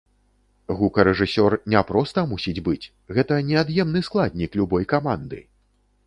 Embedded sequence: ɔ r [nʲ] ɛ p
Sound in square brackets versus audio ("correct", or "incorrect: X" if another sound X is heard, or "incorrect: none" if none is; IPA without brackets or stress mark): correct